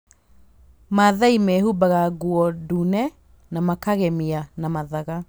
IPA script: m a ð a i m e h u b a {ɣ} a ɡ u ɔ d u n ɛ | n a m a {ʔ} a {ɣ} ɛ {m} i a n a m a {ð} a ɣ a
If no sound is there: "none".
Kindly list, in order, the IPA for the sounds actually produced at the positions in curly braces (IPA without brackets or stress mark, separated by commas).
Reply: ɣ, k, ɣ, m, ð